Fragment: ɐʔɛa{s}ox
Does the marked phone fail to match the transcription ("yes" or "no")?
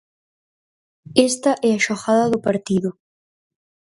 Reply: yes